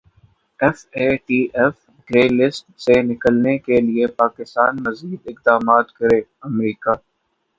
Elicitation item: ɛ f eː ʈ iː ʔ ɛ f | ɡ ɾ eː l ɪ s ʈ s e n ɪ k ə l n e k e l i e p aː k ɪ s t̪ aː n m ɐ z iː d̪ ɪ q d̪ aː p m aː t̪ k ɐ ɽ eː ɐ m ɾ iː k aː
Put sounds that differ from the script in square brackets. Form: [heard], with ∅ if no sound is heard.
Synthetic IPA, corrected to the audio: ɛ f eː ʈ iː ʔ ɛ f | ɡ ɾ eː l ɪ s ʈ s e n ɪ k ə l n e k e l i e p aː k ɪ s t̪ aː n m ɐ z iː d̪ ɪ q d̪ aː [∅] m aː t̪ k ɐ [ɾ] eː ɐ m ɾ iː k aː